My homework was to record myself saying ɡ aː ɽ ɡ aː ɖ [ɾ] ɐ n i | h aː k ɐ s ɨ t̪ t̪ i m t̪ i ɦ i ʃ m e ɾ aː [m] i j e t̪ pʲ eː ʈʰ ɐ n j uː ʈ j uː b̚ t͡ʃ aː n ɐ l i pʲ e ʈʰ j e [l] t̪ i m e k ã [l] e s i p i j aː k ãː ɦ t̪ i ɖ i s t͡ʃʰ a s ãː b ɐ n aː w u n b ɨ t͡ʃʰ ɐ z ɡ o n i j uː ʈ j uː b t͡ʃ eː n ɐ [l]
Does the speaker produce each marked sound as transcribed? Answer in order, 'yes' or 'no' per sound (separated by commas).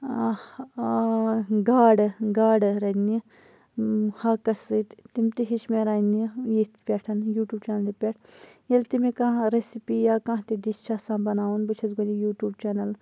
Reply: yes, no, yes, no, yes